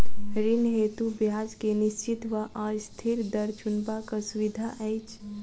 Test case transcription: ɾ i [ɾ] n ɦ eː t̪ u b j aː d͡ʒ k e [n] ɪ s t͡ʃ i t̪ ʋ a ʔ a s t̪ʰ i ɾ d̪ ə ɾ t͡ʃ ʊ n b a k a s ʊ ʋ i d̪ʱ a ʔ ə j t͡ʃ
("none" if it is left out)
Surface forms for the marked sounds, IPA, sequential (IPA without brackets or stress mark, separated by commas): none, n